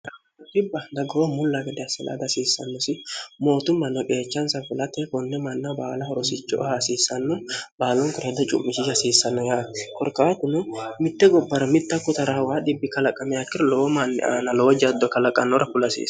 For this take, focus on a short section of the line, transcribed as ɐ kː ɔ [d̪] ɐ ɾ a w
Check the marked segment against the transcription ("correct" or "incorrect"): incorrect